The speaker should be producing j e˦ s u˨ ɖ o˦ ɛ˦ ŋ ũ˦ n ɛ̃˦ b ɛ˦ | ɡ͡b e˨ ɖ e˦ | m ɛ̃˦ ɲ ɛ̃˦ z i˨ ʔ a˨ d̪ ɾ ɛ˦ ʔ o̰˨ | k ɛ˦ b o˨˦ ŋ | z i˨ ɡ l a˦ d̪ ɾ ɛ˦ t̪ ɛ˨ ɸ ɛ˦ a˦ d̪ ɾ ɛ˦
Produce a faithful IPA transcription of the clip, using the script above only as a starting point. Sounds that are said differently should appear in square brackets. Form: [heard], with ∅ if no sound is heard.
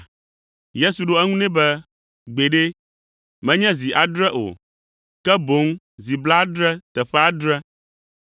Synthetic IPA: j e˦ s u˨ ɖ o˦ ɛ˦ ŋ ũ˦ n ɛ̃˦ b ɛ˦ | ɡ͡b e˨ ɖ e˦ | m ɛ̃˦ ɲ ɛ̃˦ z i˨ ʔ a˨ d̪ ɾ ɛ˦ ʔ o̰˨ | k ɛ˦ b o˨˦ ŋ | z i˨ [b] l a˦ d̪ ɾ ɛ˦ t̪ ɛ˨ ɸ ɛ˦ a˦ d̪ ɾ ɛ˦